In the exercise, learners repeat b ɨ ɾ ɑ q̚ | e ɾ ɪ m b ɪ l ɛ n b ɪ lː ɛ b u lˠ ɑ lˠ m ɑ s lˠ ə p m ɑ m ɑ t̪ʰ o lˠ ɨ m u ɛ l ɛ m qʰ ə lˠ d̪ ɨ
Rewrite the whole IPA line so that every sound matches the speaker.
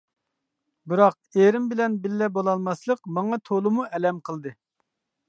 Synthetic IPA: b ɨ ɾ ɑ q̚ | e ɾ ɪ m b ɪ l ɛ n b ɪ lː ɛ b o lˠ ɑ lˠ m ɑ s lˠ ə q m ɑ ŋ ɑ t̪ʰ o lˠ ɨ m u ɛ l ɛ m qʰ ə lˠ d̪ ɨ